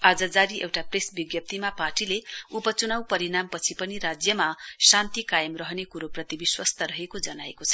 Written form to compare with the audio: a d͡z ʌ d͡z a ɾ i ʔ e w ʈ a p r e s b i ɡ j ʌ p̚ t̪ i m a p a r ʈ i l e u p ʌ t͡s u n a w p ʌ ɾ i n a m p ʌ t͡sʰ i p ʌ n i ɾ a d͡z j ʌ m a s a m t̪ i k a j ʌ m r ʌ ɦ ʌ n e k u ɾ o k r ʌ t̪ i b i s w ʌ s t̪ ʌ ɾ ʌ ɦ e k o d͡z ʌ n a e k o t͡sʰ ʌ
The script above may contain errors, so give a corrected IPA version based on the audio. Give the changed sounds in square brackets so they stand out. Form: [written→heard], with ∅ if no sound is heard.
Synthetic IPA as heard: a d͡z ʌ d͡z a ɾ i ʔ e w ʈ a p r e s b i ɡ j ʌ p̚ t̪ i m a p a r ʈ i l e u p ʌ t͡s u n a w p ʌ ɾ i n a m p ʌ t͡sʰ i p ʌ n i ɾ a d͡z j ʌ m a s a [m→n] t̪ i k a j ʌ m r ʌ ɦ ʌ n e k u ɾ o [k→p] r ʌ t̪ i b i s w ʌ s t̪ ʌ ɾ ʌ ɦ e k o d͡z ʌ n a e k o t͡sʰ ʌ